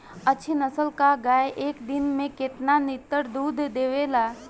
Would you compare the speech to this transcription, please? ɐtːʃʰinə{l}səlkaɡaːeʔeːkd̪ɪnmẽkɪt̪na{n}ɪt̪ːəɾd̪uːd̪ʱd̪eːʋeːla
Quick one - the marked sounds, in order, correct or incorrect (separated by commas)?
incorrect, correct